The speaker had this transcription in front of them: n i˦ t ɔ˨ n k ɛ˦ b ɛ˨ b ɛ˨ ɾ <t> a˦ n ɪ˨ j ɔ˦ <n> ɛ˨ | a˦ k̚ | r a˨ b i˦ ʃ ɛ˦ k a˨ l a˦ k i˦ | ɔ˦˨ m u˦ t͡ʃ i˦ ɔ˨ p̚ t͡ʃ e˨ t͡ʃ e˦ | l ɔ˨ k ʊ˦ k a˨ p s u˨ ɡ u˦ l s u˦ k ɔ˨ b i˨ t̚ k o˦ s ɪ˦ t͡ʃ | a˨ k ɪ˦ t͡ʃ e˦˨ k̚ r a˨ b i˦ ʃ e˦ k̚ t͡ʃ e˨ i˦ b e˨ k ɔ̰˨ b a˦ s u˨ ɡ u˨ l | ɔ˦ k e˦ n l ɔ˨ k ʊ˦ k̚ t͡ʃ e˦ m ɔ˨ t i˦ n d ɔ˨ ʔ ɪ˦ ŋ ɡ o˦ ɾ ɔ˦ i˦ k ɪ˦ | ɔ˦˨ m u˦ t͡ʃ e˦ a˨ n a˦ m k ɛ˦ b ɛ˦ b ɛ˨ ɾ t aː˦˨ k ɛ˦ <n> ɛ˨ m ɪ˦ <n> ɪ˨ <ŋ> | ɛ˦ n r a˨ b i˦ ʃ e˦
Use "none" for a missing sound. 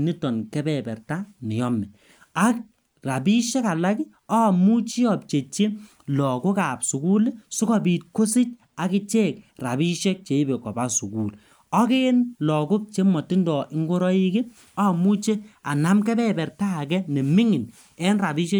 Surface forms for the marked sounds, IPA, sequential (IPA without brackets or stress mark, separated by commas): t, m, n, ŋ, n